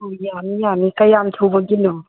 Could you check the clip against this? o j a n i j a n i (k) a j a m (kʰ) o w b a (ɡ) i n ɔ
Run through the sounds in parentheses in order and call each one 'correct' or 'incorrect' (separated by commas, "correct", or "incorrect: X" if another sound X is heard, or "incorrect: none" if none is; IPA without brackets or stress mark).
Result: correct, incorrect: tʰ, correct